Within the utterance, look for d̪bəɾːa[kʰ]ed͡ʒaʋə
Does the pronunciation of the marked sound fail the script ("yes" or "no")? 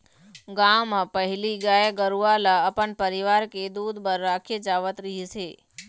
no